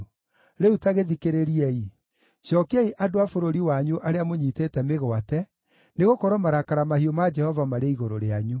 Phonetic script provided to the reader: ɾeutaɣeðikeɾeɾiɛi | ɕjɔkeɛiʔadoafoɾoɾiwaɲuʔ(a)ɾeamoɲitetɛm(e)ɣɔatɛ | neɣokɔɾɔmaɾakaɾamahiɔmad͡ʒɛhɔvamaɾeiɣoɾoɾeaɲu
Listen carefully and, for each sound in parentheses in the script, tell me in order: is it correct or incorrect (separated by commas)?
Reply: correct, correct